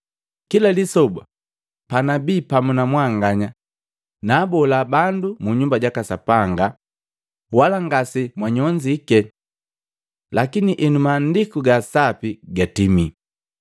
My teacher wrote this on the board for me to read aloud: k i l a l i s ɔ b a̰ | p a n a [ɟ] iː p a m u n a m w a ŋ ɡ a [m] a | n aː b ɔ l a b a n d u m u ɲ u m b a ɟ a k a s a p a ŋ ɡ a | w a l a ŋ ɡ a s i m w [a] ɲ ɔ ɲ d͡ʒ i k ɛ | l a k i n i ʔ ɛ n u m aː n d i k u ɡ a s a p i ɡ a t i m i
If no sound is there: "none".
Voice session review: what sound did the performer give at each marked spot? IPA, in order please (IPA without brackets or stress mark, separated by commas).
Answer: b, ɲ, a